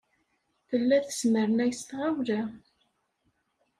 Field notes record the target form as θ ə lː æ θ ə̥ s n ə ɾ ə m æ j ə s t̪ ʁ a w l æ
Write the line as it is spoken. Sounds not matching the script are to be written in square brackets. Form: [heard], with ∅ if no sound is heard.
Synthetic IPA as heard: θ ə lː æ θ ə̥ s [m] ə ɾ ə [n] æ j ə s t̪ ʁ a w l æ